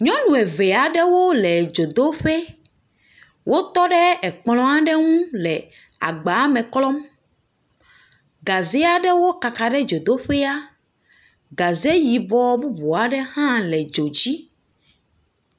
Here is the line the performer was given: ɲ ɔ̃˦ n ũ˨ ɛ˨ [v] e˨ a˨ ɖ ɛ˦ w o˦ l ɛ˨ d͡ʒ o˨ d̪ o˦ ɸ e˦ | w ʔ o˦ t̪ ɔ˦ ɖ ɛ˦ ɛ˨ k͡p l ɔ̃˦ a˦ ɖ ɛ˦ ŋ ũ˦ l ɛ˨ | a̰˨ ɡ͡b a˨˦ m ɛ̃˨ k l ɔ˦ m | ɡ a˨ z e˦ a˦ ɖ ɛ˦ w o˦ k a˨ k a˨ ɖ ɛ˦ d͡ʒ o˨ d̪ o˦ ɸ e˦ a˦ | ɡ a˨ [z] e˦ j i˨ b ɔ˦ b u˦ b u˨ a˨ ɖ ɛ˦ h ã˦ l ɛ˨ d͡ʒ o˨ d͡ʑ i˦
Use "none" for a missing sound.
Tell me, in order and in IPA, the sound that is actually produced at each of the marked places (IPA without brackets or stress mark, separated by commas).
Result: v, z